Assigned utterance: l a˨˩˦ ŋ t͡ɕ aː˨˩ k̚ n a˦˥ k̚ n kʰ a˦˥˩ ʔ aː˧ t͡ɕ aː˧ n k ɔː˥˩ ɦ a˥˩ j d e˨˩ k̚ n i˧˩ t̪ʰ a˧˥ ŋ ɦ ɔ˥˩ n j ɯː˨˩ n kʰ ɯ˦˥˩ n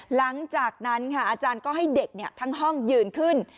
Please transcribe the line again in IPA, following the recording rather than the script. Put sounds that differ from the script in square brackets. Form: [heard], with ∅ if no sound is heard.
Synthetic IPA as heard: l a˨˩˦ ŋ t͡ɕ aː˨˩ k̚ n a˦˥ [∅] n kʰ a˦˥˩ ʔ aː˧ t͡ɕ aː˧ n k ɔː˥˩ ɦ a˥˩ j d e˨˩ k̚ n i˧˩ t̪ʰ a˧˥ ŋ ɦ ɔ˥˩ [ŋ] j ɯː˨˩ n kʰ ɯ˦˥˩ n